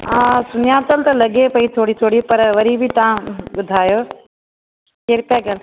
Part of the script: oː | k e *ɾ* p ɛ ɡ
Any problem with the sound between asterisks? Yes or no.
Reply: no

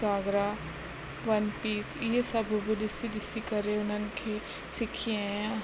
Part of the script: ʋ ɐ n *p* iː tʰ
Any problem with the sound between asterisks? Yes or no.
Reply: no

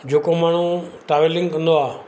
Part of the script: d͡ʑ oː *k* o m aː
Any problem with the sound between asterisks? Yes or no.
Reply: no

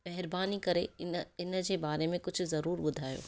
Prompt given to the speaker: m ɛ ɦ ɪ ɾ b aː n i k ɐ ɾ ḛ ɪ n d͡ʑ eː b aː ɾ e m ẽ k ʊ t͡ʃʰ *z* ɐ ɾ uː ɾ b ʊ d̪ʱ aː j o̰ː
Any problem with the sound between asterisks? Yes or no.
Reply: no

